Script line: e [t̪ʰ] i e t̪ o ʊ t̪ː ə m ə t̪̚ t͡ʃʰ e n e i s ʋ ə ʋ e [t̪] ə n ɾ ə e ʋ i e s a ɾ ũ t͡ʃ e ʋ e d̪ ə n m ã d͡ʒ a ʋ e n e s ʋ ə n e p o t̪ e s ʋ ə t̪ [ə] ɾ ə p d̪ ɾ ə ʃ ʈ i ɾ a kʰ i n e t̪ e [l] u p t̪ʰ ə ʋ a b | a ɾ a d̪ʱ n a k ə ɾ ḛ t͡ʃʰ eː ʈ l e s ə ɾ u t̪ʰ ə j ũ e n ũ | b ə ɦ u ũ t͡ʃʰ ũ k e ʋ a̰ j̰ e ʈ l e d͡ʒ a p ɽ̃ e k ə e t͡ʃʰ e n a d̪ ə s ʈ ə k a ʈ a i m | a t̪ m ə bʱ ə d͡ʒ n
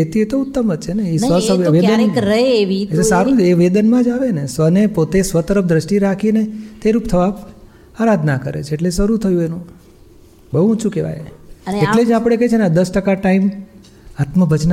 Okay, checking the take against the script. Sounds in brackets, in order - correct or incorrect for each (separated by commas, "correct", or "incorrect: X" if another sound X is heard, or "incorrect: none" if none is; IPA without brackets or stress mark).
incorrect: t̪, incorrect: d̪, correct, incorrect: ɾ